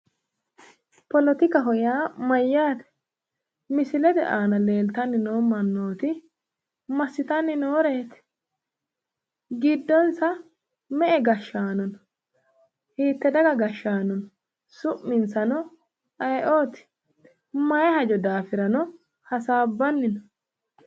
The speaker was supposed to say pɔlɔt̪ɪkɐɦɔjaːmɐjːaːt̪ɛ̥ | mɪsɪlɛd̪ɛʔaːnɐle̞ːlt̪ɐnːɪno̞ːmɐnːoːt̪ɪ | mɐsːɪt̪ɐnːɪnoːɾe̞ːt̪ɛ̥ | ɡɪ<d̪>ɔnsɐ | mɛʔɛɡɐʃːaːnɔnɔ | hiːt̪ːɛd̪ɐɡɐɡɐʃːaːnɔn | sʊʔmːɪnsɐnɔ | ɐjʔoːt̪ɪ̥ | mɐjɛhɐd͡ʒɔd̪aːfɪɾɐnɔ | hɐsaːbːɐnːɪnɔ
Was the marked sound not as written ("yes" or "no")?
yes